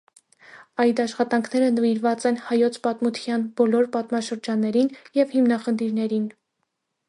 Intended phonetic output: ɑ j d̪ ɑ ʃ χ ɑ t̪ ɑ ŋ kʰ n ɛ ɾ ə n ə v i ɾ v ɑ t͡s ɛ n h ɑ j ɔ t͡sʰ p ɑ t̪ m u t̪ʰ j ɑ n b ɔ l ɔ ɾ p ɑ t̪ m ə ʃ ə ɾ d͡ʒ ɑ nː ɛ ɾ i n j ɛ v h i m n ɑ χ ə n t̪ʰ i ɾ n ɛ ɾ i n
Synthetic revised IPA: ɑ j d̪ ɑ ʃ χ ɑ t̪ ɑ ŋ kʰ n ɛ ɾ ə n ə v i ɾ v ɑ t͡s ɛ n h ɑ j ɔ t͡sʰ p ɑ t̪ m u t̪ʰ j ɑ n b ɔ l ɔ ɾ p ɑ t̪ m ɑ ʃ ə ɾ d͡ʒ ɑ nː ɛ ɾ i n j ɛ v h i m n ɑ χ ə n t̪ʰ i ɾ n ɛ ɾ i n